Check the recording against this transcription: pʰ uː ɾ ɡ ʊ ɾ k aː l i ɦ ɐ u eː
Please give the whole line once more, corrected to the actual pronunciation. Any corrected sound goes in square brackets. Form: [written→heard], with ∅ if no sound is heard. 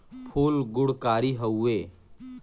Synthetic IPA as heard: pʰ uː [ɾ→l] ɡ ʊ [ɾ→ɽ] k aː [l→ɾ] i ɦ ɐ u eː